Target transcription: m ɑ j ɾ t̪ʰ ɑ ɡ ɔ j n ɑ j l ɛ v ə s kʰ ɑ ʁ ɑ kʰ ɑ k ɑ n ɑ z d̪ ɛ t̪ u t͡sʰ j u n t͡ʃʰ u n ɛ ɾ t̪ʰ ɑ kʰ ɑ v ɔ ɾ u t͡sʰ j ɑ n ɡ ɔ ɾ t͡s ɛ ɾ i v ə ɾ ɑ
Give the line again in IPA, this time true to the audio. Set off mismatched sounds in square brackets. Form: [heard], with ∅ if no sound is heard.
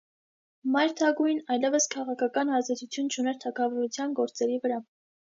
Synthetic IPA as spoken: m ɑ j ɾ t̪ʰ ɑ ɡ [u] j n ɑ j l ɛ v ə s kʰ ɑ ʁ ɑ kʰ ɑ k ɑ n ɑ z d̪ ɛ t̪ u t͡sʰ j u n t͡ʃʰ u n ɛ ɾ t̪ʰ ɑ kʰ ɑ v ɔ ɾ u t͡sʰ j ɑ n ɡ ɔ ɾ t͡s ɛ ɾ i v ə ɾ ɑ